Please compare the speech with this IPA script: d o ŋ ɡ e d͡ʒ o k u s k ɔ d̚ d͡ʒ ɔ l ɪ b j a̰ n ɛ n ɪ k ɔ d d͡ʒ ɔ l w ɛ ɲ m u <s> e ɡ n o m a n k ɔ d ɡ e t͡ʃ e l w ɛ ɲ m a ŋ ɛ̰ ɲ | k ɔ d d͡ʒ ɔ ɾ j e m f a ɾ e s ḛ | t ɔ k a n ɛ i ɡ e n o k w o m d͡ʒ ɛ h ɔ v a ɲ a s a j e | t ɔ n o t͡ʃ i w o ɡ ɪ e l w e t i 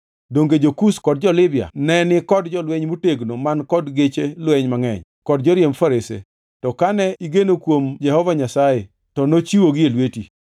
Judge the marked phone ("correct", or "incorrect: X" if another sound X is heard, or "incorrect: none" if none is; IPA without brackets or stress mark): incorrect: t